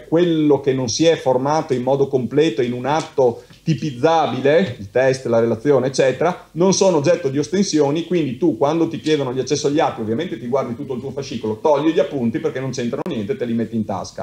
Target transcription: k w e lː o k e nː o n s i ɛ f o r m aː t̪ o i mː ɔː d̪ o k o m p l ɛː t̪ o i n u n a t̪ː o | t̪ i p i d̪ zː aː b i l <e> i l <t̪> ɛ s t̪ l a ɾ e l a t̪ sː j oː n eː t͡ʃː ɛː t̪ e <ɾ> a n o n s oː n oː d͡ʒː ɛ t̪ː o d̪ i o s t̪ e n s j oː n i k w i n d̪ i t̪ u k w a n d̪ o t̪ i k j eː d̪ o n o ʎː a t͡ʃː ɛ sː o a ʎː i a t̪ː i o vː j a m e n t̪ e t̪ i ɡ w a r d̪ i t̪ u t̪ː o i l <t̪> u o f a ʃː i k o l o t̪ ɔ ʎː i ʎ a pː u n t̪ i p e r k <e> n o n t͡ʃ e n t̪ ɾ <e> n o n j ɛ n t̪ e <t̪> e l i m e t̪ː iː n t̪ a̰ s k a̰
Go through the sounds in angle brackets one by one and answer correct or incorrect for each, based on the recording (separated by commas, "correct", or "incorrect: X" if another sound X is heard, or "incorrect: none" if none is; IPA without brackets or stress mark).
correct, correct, correct, correct, correct, incorrect: a, correct